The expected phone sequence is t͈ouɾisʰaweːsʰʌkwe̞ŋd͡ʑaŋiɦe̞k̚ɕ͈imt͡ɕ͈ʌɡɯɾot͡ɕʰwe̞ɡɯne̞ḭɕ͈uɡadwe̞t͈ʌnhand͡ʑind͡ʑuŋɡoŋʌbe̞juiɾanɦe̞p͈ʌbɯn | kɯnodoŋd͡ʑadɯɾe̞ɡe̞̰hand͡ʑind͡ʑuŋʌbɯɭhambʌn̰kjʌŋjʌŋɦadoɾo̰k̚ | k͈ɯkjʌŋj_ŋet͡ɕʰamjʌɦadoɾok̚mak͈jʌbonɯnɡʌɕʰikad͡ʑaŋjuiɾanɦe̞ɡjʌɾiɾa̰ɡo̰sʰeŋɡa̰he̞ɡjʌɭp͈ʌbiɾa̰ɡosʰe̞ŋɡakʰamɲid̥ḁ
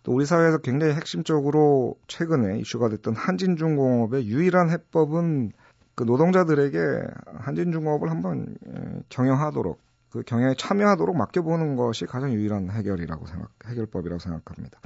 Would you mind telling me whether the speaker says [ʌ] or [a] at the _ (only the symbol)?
ʌ